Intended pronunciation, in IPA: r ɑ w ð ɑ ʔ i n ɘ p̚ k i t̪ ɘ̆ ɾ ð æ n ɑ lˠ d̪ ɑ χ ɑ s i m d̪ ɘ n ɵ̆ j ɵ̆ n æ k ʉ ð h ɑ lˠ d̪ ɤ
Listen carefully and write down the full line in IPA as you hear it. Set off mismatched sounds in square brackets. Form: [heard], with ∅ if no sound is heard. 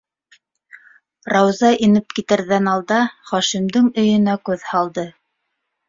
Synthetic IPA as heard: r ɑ w [z] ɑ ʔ i n ɘ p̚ k i t̪ ɘ̆ ɾ ð æ n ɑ lˠ d̪ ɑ χ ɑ [ʃ] i m d̪ ɘ [ŋ] ɵ̆ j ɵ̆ n æ k ʉ ð h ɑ lˠ d̪ ɤ